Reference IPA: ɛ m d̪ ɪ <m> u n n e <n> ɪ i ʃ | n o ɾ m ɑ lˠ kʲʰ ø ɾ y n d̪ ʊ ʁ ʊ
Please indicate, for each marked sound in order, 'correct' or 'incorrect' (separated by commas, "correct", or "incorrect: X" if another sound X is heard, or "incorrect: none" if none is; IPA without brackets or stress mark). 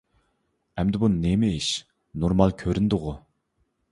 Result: incorrect: b, incorrect: m